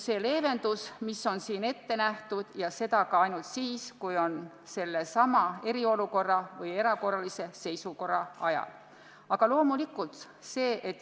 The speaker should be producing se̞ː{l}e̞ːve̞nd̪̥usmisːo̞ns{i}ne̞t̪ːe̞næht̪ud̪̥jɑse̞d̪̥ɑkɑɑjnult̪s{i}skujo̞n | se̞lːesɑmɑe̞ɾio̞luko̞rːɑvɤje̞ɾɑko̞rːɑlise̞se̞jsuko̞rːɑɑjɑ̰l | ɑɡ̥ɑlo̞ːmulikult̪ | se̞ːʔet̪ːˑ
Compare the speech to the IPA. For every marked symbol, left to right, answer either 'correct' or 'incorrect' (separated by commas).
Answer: correct, incorrect, incorrect